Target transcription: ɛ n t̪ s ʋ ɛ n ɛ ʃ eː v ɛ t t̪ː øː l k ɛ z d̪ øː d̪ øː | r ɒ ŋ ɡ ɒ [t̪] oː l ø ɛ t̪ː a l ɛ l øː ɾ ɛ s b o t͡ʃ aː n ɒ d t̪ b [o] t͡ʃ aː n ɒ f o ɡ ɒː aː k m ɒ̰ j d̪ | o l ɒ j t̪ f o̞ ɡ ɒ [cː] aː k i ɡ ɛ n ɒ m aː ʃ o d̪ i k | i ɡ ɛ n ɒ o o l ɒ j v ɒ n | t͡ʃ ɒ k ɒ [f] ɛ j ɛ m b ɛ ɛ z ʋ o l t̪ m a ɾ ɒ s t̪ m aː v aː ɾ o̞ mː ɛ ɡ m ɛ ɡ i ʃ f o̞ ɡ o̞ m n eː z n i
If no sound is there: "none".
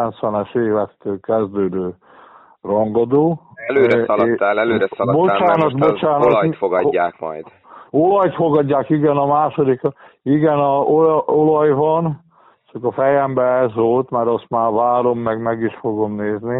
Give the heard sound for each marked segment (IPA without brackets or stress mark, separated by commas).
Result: d̪, o, ɟː, f